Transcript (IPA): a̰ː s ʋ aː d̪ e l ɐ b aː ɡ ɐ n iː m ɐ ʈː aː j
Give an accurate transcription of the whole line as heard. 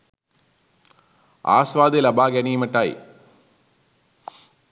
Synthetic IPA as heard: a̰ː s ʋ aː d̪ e l ɐ b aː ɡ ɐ n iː m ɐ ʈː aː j